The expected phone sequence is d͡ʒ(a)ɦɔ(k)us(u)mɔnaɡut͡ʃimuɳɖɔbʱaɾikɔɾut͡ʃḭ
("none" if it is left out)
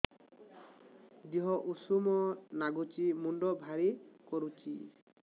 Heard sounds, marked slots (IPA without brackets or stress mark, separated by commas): i, ʔ, u